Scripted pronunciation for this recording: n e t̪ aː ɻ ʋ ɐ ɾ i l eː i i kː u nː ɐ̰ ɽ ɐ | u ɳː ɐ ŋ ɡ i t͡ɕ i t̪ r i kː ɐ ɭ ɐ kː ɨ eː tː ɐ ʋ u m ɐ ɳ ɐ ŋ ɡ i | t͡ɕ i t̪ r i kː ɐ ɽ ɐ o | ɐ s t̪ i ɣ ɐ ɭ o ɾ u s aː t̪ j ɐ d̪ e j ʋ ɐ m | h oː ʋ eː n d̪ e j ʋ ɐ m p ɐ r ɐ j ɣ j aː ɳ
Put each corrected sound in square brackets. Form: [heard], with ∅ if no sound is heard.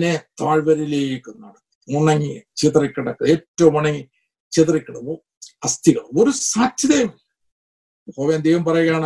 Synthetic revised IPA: n e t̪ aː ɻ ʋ ɐ ɾ i l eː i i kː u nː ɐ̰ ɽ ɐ | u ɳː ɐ ŋ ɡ i t͡ɕ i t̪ r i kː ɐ [ɽ] ɐ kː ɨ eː tː ɐ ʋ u m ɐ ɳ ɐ ŋ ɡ i | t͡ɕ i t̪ r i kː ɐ ɽ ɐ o | ɐ s t̪ i ɣ ɐ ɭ o ɾ u s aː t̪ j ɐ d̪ e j ʋ ɐ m | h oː ʋ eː n d̪ e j ʋ ɐ m p ɐ r ɐ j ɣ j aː ɳ